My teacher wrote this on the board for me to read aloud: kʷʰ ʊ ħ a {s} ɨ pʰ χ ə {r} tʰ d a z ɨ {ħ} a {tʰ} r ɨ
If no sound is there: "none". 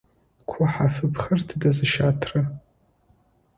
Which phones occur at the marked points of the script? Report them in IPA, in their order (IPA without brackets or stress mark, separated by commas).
f, r, ʃ, tʰ